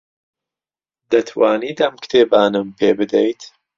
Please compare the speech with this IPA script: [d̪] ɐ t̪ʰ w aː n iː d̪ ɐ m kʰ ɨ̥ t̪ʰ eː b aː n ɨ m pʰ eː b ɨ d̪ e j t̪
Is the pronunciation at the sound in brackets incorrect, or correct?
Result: correct